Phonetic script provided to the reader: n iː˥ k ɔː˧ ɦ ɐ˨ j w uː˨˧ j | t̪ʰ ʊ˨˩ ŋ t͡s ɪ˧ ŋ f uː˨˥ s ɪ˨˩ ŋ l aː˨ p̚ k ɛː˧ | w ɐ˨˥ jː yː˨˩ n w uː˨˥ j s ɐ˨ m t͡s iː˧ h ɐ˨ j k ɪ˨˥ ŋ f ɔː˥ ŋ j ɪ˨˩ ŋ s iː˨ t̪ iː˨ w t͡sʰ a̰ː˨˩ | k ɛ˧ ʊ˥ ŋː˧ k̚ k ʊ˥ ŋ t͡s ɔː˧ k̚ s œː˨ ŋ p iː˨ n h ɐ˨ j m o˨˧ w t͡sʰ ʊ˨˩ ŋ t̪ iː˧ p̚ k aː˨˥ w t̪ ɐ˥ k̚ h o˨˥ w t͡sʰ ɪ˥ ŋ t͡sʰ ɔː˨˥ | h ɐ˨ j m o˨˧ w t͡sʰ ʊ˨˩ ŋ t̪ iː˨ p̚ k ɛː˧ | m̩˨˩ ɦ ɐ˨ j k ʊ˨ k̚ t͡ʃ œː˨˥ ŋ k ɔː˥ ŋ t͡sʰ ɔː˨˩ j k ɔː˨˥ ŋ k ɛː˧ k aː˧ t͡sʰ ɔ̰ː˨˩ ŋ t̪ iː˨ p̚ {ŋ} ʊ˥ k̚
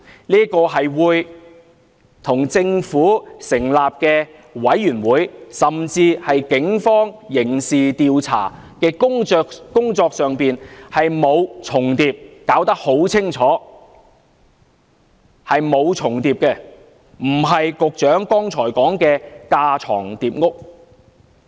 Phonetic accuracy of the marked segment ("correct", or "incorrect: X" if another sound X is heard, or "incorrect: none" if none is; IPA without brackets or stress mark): correct